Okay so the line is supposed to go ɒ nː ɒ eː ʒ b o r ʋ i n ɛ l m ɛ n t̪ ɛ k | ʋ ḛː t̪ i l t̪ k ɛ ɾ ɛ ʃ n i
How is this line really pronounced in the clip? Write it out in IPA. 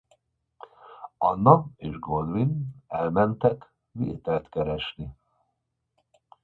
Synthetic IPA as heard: ɒ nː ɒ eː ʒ ɡ o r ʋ i n ɛ l m ɛ n t̪ ɛ k | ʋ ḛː t̪ ɛ l t̪ k ɛ ɾ ɛ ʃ n i